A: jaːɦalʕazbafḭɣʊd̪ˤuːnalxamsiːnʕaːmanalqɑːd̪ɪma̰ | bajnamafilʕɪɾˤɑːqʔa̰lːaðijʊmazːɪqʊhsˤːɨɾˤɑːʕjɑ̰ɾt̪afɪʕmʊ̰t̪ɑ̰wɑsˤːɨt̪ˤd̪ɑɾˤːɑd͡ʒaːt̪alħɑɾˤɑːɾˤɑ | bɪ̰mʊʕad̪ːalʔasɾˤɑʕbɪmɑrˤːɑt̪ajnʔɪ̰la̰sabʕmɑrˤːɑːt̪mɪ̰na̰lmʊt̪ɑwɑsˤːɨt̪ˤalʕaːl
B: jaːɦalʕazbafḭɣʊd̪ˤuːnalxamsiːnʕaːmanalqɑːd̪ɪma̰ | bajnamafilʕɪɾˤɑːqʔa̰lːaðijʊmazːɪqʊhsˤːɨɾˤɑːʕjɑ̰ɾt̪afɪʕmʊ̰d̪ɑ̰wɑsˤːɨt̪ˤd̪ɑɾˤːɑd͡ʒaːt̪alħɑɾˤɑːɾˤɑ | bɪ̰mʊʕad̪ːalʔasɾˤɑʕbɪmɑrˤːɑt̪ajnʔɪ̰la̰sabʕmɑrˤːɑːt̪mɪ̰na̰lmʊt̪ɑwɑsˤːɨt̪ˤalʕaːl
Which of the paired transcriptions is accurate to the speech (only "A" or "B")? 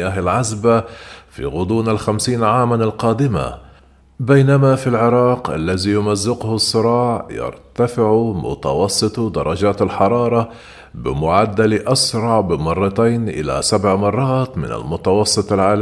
A